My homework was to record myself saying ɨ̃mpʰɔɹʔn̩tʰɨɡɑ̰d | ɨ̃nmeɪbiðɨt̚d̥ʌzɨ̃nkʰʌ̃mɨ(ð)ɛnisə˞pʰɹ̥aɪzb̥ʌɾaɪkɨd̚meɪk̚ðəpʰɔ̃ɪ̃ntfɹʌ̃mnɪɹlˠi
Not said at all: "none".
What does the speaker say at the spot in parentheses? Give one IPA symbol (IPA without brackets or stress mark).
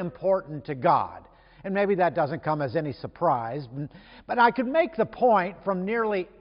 z